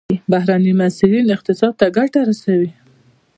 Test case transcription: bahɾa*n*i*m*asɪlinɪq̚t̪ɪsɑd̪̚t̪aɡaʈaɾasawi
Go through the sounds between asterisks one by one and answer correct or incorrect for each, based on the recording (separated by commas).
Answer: correct, correct